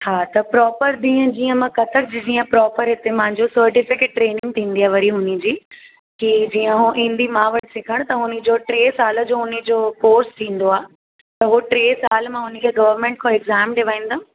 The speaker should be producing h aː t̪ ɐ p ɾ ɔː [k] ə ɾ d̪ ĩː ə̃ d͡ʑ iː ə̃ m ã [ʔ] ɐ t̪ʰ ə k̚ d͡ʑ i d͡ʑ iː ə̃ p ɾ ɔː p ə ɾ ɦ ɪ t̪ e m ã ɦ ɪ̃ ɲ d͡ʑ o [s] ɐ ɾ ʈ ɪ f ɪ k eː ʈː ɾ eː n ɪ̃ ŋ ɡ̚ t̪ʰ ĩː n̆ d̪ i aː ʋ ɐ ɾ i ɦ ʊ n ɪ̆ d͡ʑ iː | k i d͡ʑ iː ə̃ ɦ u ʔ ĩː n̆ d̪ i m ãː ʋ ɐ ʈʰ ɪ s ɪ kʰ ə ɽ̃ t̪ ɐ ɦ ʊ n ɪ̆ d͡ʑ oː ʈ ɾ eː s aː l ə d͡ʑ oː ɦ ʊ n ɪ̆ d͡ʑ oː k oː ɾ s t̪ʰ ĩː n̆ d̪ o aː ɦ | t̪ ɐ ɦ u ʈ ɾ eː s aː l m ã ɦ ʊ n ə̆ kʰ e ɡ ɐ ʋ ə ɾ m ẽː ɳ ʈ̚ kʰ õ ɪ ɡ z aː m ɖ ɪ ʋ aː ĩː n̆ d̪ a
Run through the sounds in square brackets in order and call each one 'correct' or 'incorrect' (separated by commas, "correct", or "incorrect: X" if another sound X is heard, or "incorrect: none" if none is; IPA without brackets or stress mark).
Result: incorrect: p, incorrect: k, correct